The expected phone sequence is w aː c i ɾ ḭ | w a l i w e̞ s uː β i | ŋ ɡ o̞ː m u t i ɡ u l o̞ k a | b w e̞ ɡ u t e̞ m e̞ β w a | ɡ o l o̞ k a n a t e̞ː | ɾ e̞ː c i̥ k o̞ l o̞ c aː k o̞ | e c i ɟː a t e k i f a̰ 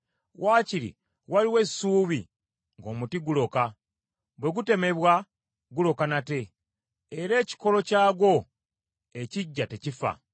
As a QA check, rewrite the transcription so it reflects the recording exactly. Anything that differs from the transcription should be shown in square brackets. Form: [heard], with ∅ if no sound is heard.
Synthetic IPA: w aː c i ɾ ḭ | w a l i w e̞ s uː β i | ŋ ɡ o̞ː m u t i ɡ u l o̞ k a | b w e̞ ɡ u t e̞ m e̞ β w a | ɡ [u] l o̞ k a n a t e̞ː | ɾ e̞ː c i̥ k o̞ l o̞ c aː [ɡ] o̞ | e c i ɟː a t e [c] i f a̰